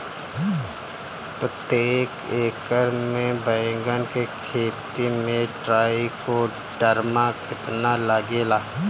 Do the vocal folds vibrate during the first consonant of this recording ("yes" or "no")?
no